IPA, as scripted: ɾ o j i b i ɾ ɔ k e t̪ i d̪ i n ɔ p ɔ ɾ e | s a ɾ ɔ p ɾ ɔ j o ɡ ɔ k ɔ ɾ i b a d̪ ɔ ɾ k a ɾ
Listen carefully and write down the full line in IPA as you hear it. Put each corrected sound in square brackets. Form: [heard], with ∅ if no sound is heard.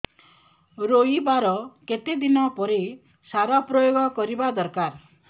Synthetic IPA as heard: ɾ o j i b [a] ɾ ɔ k e t̪ [e] d̪ i n ɔ p ɔ ɾ e | s a ɾ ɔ p ɾ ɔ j o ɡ ɔ k ɔ ɾ i b a d̪ ɔ ɾ k a ɾ